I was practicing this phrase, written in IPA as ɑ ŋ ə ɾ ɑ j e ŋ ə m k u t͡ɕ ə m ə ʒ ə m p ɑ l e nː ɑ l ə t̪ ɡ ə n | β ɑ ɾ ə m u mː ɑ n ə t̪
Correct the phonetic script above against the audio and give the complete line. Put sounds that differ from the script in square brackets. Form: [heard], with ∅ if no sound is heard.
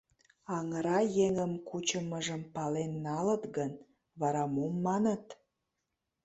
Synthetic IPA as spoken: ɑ ŋ ə ɾ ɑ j e ŋ ə m k u t͡ɕ ə m ə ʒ ə m p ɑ l e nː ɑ l ə t̪ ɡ ə n | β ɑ ɾ [ɑ] m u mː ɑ n ə t̪